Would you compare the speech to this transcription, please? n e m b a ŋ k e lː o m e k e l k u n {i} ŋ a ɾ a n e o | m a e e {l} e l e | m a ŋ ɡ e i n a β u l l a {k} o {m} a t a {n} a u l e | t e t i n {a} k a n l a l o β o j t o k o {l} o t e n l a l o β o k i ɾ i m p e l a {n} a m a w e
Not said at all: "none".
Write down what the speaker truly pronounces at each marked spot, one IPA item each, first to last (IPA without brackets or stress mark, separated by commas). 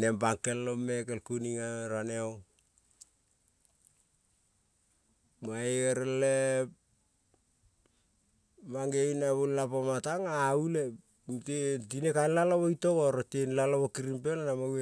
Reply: i, ɾ, p, m, ŋ, e, ɾ, n